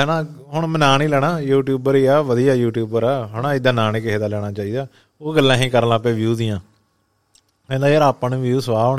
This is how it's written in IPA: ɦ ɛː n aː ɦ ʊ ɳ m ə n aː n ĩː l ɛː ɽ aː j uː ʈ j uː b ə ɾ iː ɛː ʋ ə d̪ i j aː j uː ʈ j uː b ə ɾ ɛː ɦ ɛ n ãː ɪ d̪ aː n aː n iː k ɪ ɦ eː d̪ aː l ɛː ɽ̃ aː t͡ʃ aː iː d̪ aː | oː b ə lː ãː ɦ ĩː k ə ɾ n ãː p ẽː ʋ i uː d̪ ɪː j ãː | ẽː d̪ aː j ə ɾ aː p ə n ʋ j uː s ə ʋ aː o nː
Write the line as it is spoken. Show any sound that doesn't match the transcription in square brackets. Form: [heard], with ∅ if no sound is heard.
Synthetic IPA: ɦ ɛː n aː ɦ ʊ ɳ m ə n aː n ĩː l ɛː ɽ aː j uː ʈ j uː b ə ɾ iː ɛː ʋ ə d̪ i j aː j uː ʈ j uː b ə ɾ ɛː ɦ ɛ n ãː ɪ d̪ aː n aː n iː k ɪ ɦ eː d̪ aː l ɛː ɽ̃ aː t͡ʃ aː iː d̪ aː | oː [ɡ] ə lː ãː ɦ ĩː k ə ɾ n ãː p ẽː ʋ [j] uː d̪ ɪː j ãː | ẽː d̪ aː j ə ɾ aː p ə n ʋ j uː s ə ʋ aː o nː